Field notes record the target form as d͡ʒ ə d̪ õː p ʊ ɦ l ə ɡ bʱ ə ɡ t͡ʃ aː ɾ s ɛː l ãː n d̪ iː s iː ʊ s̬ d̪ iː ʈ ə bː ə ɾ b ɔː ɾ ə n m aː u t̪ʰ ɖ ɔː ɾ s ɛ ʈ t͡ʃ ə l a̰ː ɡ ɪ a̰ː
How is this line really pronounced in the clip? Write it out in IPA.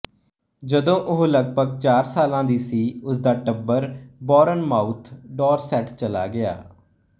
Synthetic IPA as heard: d͡ʒ ə d̪ õː ʔ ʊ ɦ l ə ɡ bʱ ə ɡ t͡ʃ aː ɾ s aː l ãː d̪ iː s iː ʊ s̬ d̪ aː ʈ ə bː ə ɾ b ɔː ɾ ə n m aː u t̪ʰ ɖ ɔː ɾ s ɛ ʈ t͡ʃ ə l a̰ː ɡ ɪ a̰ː